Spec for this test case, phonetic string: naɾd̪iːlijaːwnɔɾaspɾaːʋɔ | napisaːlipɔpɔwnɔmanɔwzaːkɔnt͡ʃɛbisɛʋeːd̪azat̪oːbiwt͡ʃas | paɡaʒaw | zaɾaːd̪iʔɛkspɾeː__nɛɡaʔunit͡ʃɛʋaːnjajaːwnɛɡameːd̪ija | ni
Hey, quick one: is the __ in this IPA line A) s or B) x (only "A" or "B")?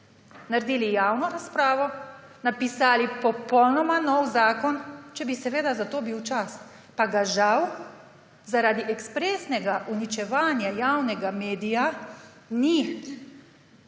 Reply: A